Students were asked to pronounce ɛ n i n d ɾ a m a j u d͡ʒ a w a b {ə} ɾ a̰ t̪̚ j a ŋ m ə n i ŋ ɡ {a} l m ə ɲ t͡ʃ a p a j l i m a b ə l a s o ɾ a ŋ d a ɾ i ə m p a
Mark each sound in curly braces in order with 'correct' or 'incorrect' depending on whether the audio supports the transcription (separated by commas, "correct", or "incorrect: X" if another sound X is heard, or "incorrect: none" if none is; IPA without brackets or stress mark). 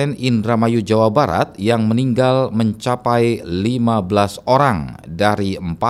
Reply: incorrect: a, correct